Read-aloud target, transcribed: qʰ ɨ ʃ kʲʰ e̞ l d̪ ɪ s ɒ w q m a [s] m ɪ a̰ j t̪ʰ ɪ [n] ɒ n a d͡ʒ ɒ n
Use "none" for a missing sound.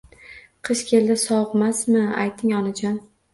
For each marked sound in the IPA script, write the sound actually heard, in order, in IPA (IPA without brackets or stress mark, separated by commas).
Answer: s, ŋ